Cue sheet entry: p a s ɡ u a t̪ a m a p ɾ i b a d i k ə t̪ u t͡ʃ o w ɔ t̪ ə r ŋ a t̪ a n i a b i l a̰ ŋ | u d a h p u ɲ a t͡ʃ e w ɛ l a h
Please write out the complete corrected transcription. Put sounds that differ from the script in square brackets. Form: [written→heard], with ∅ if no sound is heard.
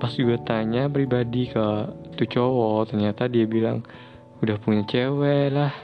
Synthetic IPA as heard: p a s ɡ u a t̪ a [m→ɲ] a p ɾ i b a d i k ə t̪ u t͡ʃ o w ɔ t̪ ə r [ŋ→ɲ] a t̪ a [n→d] i a b i l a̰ ŋ | u d a h p u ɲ a t͡ʃ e w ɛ l a h